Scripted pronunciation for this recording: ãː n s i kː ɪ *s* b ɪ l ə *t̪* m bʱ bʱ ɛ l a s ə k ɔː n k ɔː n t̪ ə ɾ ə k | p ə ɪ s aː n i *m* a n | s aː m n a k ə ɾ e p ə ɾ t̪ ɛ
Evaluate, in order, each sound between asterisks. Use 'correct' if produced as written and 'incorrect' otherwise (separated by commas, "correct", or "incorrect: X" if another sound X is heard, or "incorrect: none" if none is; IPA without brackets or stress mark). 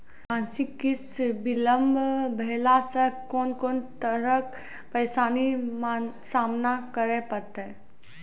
correct, incorrect: none, correct